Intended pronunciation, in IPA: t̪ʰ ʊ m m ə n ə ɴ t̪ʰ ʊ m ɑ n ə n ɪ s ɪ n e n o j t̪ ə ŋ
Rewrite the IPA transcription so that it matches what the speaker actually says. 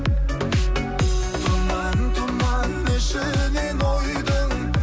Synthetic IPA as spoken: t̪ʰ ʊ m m ɑ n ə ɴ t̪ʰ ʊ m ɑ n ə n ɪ ʃ ɪ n e n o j d̪ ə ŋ